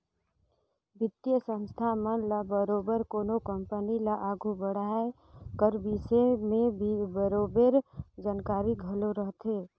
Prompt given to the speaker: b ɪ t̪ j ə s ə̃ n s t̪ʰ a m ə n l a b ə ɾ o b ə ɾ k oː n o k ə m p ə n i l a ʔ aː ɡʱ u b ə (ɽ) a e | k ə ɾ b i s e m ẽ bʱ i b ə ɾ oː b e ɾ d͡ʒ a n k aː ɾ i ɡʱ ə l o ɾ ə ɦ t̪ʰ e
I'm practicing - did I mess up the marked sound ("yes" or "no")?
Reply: no